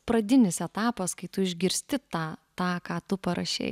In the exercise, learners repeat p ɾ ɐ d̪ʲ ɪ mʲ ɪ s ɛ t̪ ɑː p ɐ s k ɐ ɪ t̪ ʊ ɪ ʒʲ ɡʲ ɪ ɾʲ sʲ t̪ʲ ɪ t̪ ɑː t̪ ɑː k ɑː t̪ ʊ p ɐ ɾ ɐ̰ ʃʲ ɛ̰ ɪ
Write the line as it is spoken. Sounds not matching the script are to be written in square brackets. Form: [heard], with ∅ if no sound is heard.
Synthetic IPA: p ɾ ɐ d̪ʲ ɪ [nʲ] ɪ s ɛ t̪ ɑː p ɐ s k ɐ ɪ t̪ ʊ ɪ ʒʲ ɡʲ ɪ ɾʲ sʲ t̪ʲ ɪ t̪ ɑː t̪ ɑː k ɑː t̪ ʊ p ɐ ɾ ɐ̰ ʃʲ ɛ̰ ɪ